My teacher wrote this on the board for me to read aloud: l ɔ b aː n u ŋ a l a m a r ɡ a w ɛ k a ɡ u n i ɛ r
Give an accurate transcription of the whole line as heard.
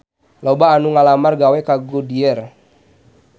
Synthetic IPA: l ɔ b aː n u ŋ a l a m a r ɡ a w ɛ k a ɡ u d i ɛ r